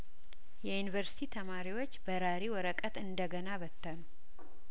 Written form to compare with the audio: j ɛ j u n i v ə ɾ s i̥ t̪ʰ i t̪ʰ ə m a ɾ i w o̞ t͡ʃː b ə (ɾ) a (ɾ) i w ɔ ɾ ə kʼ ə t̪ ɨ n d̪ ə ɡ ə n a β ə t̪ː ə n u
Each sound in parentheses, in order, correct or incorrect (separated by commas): correct, correct